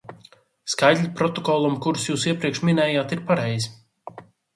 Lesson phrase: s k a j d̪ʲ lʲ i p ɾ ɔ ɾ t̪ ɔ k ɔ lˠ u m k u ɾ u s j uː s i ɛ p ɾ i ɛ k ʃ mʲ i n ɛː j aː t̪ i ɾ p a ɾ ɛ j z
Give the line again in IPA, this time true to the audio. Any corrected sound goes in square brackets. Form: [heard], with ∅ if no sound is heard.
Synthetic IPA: s k a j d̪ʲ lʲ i p ɾ ɔ [∅] t̪ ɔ k ɔ lˠ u m k u ɾ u s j uː s i ɛ p ɾ i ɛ k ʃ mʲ i n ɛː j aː t̪ i ɾ p a ɾ ɛ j z